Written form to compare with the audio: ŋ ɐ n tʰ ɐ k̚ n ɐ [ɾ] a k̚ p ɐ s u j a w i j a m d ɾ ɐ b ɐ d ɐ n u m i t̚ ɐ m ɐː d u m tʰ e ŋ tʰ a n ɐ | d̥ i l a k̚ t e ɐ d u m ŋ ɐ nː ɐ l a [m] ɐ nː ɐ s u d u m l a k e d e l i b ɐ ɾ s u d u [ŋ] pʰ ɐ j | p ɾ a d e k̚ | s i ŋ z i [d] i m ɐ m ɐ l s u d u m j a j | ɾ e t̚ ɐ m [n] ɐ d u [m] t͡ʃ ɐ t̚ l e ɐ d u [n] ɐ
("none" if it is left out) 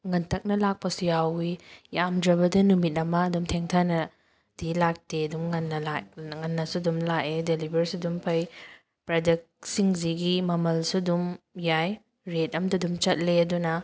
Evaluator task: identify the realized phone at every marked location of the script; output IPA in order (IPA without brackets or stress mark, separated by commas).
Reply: l, ŋ, m, ɡ, d, m, n